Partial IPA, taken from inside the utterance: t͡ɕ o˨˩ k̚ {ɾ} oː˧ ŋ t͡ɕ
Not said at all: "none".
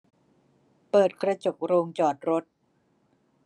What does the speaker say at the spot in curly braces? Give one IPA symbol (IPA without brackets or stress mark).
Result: ɾ